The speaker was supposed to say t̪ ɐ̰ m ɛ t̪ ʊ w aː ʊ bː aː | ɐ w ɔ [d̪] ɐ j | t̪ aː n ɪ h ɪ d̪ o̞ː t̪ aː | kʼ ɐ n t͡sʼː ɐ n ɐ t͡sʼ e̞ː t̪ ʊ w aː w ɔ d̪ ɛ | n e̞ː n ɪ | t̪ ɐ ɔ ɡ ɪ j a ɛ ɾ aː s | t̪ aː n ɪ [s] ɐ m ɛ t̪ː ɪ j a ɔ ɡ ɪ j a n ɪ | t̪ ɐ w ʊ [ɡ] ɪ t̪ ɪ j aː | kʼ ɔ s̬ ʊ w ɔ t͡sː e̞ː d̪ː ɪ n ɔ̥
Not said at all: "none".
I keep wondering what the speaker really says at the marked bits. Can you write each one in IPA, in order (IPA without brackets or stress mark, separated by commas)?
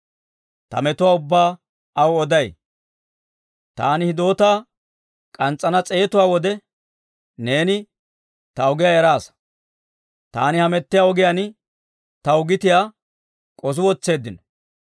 d̪, h, ɡ